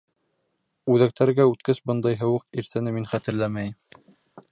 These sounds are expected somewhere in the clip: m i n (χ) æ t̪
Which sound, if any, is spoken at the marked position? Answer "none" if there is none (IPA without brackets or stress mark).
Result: χ